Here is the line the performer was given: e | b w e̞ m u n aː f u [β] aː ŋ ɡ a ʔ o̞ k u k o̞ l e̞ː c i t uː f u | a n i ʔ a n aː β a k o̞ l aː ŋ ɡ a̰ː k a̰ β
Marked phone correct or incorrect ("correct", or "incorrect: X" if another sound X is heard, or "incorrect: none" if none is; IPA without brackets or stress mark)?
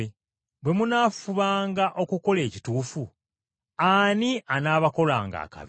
correct